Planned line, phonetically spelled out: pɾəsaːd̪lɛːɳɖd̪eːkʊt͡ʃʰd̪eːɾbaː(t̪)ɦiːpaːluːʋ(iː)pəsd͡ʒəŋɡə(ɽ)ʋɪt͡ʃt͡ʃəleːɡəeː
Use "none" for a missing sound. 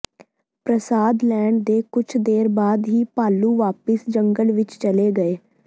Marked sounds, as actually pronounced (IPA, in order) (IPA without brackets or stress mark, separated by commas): d̪, aː, l